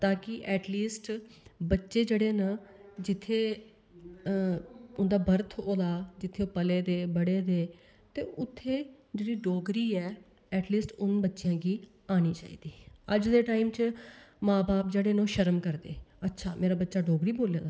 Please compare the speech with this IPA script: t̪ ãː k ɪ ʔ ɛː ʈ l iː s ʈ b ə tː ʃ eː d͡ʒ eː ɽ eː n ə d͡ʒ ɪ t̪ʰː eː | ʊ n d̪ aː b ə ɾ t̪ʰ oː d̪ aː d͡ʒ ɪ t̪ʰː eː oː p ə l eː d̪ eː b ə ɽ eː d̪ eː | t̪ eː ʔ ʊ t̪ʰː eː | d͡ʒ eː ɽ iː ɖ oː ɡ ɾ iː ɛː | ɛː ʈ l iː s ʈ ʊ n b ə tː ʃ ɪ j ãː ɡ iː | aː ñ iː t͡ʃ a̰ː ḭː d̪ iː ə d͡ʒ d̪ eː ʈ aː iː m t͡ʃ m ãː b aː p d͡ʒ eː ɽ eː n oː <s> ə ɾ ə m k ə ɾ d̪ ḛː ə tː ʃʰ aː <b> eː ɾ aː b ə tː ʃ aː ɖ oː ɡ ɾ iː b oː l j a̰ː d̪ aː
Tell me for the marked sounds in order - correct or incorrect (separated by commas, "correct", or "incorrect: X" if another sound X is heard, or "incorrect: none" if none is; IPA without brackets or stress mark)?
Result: incorrect: ʃ, incorrect: m